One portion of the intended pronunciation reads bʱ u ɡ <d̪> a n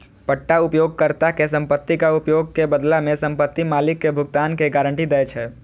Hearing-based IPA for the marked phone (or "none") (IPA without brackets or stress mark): t̪